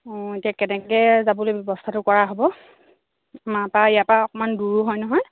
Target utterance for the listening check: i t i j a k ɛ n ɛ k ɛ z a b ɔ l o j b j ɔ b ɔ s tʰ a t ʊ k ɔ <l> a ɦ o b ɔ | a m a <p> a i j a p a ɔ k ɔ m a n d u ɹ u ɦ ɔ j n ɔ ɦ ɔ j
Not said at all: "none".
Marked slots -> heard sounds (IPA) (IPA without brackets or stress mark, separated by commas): ɹ, p